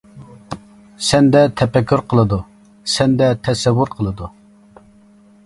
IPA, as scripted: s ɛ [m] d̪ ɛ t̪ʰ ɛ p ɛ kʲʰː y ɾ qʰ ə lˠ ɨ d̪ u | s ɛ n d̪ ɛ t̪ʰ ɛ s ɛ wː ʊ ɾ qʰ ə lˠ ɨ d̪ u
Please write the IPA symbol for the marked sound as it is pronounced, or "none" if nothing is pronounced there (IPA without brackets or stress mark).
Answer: n